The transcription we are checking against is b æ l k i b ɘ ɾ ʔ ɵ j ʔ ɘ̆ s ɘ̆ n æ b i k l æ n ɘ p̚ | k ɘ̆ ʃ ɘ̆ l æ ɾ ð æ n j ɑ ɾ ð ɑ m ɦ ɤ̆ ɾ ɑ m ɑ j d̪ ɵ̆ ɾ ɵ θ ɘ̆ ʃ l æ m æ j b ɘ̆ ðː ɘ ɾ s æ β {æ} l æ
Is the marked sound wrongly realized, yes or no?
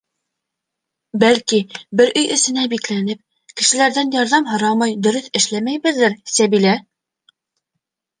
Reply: yes